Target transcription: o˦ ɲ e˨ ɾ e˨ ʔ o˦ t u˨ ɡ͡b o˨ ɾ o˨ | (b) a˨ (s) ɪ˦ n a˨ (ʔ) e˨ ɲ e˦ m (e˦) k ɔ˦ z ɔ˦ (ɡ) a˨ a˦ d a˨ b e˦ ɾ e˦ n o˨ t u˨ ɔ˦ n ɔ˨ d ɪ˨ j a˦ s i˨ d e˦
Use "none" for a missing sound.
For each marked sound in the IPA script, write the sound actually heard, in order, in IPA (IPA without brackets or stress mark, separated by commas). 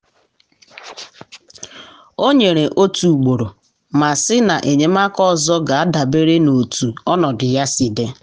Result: m, s, ʔ, a˦, ɡ